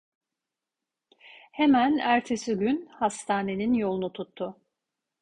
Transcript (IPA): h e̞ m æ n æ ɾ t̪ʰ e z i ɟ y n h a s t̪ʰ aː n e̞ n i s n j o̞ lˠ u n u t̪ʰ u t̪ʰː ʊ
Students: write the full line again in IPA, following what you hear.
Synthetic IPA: h e̞ m æ n æ ɾ t̪ʰ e s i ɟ y n h a s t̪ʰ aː n e̞ n i n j o̞ lˠ u n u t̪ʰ u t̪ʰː ʊ